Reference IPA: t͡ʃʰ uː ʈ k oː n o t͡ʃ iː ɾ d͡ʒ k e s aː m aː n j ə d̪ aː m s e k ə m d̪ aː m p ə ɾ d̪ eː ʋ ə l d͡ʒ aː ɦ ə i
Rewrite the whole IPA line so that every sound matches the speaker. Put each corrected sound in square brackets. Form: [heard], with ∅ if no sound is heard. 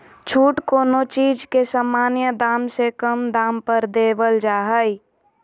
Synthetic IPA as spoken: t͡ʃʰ uː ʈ k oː n o t͡ʃ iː [∅] d͡ʒ k e s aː m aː n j ə d̪ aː m s e k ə m d̪ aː m p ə ɾ d̪ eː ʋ ə l d͡ʒ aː ɦ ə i